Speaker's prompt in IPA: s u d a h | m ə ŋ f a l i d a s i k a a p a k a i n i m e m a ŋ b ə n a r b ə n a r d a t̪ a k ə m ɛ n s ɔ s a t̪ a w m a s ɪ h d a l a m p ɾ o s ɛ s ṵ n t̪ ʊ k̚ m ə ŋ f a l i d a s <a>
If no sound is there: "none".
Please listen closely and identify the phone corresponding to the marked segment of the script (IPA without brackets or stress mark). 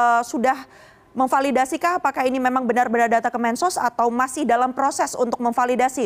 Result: i